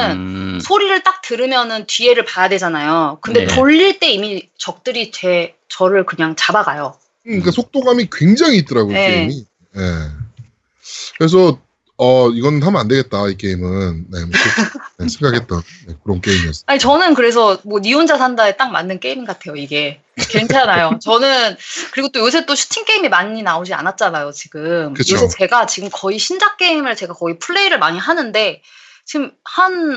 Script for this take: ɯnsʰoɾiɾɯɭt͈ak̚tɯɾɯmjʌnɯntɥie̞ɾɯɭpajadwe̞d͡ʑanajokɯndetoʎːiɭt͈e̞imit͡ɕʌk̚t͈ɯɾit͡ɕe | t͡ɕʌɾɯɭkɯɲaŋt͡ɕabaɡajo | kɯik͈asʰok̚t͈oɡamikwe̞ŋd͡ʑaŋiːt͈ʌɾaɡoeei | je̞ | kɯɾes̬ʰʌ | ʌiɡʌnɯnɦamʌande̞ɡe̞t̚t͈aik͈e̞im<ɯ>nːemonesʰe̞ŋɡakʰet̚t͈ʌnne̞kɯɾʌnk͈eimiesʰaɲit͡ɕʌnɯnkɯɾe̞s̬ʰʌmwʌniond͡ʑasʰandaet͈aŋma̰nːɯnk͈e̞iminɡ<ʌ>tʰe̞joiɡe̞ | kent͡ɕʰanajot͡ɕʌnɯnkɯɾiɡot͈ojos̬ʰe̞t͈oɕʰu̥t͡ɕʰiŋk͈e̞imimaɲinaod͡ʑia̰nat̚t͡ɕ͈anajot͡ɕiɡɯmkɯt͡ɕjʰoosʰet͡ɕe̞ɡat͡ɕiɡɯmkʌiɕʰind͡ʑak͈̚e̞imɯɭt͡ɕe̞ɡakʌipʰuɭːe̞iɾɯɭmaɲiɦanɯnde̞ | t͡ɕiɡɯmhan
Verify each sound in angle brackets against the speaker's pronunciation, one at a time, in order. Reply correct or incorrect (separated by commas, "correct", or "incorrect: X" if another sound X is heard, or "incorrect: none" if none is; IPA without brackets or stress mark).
correct, incorrect: a